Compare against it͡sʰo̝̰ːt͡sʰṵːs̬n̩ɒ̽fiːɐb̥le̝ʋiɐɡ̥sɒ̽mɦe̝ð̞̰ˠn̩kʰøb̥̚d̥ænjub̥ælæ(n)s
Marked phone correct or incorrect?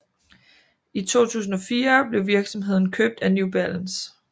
correct